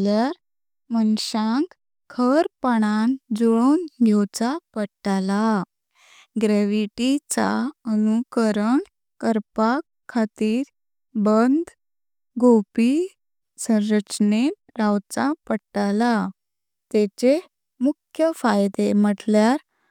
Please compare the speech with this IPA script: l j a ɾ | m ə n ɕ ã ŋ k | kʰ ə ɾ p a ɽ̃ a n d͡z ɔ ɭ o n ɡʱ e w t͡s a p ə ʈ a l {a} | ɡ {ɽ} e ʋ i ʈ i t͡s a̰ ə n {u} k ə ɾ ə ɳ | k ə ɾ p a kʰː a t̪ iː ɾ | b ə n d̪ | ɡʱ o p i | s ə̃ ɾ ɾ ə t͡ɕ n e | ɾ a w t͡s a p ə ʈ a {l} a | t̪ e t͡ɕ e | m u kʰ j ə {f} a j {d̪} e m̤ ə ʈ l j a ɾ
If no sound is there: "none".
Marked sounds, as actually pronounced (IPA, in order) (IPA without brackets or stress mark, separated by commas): a, ɾ, u, l, f, d̪